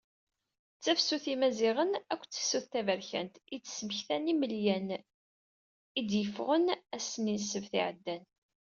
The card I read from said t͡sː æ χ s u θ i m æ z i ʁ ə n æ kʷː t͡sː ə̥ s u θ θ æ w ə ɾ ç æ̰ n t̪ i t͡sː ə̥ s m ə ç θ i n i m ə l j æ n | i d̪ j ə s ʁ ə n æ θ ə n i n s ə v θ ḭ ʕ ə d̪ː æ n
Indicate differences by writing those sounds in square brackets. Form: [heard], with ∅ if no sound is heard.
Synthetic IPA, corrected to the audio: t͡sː æ [f] s u θ i m æ z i ʁ ə n æ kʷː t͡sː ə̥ s u θ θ æ [v] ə ɾ ç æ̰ n t̪ i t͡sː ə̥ s m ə ç θ [æ] n i m ə l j æ n | i d̪ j ə [f] ʁ ə n æ [s] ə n i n s ə v θ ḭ ʕ ə d̪ː æ n